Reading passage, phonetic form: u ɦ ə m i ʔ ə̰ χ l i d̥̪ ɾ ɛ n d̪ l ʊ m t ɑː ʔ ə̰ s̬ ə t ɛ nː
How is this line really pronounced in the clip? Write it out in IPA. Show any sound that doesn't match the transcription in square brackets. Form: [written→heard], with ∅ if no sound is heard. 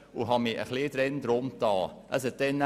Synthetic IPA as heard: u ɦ [ə→ɑ] m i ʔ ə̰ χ l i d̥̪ ɾ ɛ n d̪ [l→ɾ] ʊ m t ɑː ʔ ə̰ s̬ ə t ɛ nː

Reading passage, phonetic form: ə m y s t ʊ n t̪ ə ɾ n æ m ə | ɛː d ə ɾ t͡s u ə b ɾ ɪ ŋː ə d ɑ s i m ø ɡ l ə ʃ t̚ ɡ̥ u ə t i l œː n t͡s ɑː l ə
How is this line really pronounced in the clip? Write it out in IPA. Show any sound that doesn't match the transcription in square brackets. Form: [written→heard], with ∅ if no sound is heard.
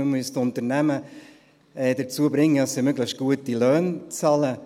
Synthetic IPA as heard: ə m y s t ʊ n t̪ ə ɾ n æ m ə | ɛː d ə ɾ t͡s u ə b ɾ ɪ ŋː ə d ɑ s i m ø ɡ l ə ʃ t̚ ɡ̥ u ə t i l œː n t͡s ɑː l ə

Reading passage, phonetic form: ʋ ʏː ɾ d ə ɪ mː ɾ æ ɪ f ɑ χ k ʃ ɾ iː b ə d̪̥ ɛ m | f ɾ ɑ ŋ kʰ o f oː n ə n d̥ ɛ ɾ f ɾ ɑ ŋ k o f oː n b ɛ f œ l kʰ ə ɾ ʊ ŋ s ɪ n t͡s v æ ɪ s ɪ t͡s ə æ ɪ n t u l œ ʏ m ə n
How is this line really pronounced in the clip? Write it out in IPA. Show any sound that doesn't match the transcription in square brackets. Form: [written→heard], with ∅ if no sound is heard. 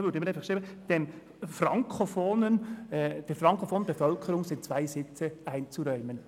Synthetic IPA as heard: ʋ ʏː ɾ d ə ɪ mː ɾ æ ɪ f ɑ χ k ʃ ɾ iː b ə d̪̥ ɛ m | f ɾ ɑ ŋ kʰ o f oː n ə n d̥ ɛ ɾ f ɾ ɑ ŋ k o f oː n b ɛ f œ l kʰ ə ɾ ʊ ŋ s ɪ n t͡s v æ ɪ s ɪ t͡s ə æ ɪ n [t→t͡s] u [l→ɾ] œ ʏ m ə n

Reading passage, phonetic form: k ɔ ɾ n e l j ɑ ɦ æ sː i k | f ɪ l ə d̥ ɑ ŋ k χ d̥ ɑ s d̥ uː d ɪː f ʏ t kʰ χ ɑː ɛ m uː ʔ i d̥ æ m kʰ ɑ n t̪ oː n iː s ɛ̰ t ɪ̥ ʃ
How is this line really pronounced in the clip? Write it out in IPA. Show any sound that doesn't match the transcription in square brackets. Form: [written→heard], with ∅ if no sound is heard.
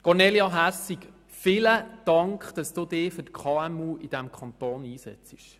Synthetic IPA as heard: k ɔ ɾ n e l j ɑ ɦ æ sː i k | f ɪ l ə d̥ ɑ ŋ k χ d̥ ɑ s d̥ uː d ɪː f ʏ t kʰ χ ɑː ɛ m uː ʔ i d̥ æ m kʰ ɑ n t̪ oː n iː s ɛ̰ [t→t͡s] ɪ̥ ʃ

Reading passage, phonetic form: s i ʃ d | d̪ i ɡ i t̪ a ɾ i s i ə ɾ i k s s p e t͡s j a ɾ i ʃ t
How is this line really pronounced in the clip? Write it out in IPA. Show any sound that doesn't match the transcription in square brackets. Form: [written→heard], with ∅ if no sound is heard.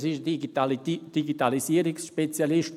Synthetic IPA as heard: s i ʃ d | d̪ i ɡ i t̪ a [ɾ→l] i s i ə ɾ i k s [s→ʃ] p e t͡s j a [ɾ→l] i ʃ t

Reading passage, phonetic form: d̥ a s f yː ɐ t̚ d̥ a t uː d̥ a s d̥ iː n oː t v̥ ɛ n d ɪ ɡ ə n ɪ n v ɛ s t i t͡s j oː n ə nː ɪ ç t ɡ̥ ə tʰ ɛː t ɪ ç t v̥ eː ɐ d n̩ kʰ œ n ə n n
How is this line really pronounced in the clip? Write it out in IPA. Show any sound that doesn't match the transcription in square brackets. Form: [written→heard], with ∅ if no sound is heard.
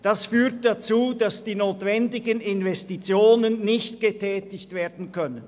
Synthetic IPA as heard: d̥ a s f yː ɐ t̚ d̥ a [t→t͡s] uː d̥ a s d̥ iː n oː t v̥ ɛ n d ɪ ɡ ə n ɪ n v ɛ s t i t͡s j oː n ə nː ɪ ç t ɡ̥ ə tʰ ɛː t ɪ ç t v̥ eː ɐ d n̩ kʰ œ n ə n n

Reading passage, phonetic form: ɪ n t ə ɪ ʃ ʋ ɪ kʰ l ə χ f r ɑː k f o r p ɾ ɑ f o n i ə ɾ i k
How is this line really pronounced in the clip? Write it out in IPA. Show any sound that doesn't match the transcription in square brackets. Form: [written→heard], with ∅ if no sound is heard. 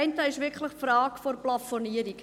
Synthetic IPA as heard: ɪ n t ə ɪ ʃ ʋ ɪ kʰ l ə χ f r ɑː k f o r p [ɾ→l] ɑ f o n i ə ɾ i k

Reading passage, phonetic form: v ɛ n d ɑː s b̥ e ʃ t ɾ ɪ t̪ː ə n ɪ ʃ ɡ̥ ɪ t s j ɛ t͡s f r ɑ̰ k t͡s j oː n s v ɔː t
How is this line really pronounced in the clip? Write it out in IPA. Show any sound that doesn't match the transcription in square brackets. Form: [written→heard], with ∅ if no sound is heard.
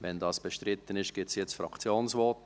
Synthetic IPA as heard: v ɛ n d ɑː s b̥ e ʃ t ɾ ɪ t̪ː ə n ɪ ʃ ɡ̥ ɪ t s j ɛ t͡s f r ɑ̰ k t͡s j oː n s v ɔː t

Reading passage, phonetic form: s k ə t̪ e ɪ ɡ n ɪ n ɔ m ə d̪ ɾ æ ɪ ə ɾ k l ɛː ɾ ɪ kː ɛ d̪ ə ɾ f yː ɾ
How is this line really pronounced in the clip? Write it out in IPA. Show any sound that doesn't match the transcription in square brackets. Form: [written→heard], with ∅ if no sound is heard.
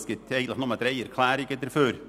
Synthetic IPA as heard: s k ə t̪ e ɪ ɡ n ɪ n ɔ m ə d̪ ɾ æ ɪ ə ɾ [k→kʰ] l [ɛː→æː] ɾ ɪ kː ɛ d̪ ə ɾ f [yː→øː] ɾ

